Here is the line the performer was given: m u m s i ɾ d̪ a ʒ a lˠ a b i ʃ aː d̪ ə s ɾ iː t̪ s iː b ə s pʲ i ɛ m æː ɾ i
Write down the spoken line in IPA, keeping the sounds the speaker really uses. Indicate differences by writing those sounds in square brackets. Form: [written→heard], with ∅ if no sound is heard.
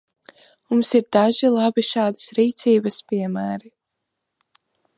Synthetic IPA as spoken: m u m s i ɾ d̪ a ʒ [a→i] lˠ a b i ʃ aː d̪ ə s ɾ iː t̪ s iː b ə s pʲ i ɛ m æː ɾ i